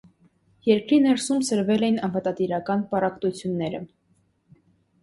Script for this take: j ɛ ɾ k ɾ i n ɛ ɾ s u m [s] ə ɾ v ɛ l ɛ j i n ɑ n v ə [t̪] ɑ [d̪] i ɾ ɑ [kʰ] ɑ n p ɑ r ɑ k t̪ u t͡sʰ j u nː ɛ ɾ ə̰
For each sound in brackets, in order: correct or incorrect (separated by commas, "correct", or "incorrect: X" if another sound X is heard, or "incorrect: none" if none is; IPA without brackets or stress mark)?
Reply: correct, correct, incorrect: t̪, incorrect: k